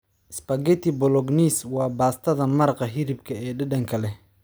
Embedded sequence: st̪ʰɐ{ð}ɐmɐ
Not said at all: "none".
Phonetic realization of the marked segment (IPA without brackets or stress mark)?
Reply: ð